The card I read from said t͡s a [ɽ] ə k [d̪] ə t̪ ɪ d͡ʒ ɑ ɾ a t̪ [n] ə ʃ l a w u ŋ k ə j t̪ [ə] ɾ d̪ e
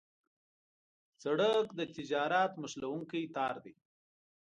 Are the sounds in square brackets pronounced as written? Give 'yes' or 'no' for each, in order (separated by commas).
yes, yes, no, no